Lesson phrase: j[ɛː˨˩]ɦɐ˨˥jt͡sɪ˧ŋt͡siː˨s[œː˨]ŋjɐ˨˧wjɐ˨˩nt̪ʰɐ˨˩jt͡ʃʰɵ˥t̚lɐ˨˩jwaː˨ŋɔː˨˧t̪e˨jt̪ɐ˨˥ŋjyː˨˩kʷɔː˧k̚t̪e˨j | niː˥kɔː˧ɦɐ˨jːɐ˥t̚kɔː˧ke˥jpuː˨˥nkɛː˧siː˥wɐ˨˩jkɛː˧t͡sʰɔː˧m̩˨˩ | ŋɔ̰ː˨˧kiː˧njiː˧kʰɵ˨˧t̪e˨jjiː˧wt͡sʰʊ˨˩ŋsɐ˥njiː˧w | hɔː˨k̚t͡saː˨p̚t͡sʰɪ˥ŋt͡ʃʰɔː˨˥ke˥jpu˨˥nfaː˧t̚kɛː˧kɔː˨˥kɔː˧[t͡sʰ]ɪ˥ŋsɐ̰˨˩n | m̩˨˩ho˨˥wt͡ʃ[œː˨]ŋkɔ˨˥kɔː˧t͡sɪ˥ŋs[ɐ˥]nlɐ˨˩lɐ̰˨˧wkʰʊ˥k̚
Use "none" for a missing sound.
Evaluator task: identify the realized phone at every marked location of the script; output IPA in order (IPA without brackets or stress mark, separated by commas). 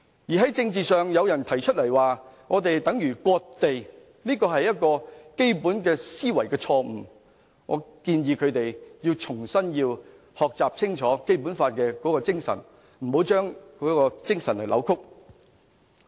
iː˨˩, œː˨, t͡s, œː˥, ɐ˨˩